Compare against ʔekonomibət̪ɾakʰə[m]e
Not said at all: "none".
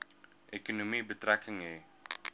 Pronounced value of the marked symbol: ŋ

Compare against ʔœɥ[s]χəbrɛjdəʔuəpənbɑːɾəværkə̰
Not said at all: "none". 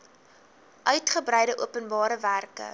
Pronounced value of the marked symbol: t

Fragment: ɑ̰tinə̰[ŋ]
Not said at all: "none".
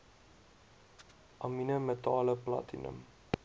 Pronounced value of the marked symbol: m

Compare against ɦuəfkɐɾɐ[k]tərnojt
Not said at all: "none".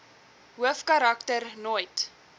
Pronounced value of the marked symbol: k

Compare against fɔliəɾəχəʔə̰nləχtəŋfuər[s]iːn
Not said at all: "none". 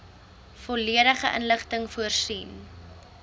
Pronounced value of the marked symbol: s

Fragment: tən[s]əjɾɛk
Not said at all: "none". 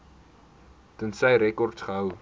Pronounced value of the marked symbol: s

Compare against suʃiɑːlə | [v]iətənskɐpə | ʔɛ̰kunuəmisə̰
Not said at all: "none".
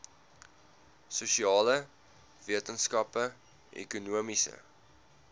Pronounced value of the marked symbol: v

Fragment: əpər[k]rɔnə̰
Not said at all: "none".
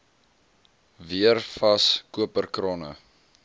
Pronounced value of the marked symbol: k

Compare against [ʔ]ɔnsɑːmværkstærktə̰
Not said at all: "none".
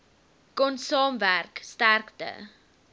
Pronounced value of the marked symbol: k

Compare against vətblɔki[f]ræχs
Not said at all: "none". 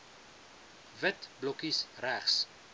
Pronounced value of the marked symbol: s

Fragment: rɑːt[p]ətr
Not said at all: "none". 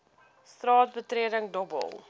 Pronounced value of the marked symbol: b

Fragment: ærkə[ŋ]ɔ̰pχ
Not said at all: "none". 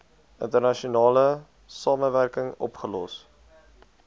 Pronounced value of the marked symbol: ŋ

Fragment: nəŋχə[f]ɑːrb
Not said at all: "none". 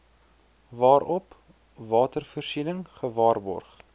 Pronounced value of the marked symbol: v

